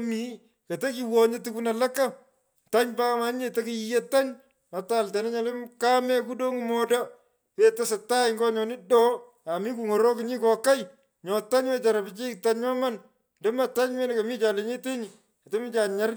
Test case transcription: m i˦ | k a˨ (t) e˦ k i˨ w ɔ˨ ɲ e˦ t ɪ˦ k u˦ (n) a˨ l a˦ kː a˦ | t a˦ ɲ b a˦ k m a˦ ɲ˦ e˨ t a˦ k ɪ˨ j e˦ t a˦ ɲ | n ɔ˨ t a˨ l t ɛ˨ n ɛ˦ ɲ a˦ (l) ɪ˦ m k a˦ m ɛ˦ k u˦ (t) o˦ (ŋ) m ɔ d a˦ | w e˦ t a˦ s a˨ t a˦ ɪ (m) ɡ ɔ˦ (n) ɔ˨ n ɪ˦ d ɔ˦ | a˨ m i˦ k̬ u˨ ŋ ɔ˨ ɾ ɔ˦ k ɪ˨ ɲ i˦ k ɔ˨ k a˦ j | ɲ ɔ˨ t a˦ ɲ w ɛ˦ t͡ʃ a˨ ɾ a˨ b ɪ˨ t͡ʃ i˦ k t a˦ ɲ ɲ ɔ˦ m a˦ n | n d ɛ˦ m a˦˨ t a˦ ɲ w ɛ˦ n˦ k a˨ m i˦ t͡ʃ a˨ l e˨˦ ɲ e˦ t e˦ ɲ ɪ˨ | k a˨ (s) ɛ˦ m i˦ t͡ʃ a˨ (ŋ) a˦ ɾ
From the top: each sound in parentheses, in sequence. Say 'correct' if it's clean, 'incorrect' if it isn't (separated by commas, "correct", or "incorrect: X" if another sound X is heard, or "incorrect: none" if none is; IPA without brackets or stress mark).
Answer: correct, correct, correct, incorrect: d, correct, incorrect: ŋ, incorrect: ɲ, incorrect: t, incorrect: ɲ